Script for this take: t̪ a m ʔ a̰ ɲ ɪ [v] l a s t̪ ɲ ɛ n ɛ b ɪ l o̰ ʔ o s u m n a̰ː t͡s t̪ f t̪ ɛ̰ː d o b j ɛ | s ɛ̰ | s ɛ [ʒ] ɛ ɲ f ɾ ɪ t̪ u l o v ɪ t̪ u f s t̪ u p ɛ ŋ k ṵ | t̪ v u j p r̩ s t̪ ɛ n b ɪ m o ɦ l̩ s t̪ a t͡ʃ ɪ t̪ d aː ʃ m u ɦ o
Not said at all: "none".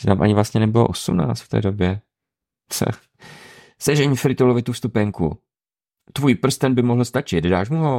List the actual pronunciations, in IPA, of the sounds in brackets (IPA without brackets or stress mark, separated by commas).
v, ʒ